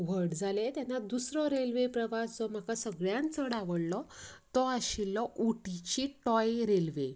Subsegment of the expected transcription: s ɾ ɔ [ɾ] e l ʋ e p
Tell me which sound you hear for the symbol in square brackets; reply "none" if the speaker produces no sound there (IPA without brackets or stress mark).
ɾ